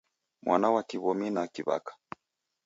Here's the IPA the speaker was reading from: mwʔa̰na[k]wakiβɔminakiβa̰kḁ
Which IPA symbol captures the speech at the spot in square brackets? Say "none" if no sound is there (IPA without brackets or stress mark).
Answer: none